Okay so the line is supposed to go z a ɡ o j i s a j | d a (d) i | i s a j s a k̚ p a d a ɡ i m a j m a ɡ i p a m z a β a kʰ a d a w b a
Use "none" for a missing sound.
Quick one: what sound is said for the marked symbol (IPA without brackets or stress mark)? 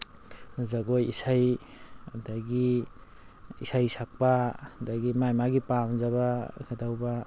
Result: ɡ